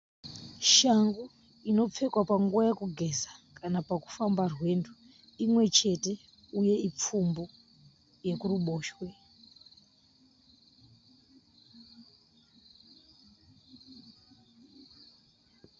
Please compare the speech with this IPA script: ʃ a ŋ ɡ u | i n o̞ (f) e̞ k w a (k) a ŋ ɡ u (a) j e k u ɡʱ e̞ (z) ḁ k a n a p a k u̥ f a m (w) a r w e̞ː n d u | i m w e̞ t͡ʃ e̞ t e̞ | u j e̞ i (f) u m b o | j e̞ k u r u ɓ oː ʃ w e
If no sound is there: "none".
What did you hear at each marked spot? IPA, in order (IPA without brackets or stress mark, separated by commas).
p͡f, p, a, z, b, p͡f